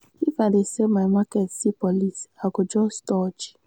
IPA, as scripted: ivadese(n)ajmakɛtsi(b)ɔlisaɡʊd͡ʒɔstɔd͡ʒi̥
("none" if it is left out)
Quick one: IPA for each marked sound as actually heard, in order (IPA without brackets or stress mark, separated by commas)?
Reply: m, p